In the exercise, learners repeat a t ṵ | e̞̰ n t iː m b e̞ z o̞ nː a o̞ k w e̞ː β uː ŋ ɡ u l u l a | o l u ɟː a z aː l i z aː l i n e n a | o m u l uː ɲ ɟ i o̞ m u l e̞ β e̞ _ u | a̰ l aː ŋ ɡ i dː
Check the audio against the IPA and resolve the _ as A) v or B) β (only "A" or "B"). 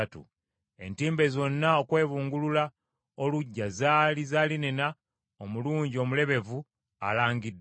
A